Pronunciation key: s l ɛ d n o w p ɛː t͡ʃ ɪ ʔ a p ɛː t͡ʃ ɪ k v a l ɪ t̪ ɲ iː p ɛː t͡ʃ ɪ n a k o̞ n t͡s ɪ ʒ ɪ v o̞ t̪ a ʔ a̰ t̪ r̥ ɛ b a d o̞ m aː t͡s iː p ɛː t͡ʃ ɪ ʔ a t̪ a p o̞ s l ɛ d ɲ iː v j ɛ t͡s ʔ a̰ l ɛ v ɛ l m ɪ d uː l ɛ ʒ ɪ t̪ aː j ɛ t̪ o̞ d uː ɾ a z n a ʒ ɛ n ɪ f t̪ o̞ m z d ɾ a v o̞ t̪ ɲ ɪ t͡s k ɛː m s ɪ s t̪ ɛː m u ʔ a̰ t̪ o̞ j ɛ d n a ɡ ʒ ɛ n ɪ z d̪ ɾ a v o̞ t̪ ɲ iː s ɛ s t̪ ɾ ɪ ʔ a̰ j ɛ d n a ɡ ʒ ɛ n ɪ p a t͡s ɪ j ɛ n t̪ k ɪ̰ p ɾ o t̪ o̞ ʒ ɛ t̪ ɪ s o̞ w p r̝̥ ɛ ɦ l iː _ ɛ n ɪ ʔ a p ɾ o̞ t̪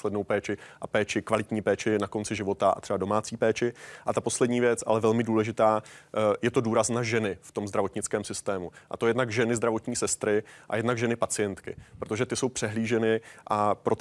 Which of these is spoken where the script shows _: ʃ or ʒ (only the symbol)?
ʒ